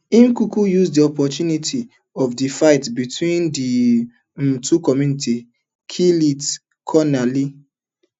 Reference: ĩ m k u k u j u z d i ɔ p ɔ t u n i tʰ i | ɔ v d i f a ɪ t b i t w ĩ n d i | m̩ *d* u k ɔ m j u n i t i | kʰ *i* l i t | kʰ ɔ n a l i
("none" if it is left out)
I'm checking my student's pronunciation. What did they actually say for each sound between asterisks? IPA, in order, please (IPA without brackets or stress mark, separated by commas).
t, i